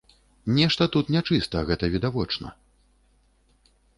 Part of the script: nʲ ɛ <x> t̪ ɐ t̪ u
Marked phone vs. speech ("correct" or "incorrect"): incorrect